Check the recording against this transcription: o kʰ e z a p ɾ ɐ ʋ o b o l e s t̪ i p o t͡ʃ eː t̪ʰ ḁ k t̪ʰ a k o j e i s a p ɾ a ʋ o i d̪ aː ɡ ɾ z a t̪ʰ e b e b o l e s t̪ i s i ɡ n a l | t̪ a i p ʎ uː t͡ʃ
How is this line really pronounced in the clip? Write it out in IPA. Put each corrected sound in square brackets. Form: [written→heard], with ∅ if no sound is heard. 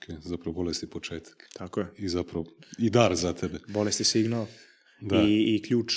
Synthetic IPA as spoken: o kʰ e z a p ɾ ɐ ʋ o b o l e s t̪ i p o t͡ʃ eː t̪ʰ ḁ k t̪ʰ a k o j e i [s→z] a p ɾ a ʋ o i d̪ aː [ɡ→∅] ɾ z a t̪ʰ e b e b o l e s t̪ i s i ɡ n a l | [t̪→d̪] a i [p→k] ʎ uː t͡ʃ